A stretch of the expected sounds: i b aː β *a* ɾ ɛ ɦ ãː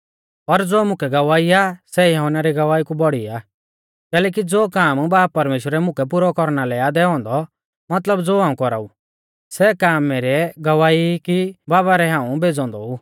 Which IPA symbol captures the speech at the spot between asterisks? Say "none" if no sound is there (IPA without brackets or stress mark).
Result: a